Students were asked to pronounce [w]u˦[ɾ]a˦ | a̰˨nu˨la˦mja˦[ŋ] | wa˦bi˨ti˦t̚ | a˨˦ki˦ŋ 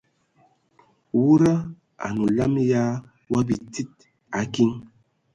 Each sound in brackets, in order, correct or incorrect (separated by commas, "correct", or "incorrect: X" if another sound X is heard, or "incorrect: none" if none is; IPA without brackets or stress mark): correct, correct, incorrect: none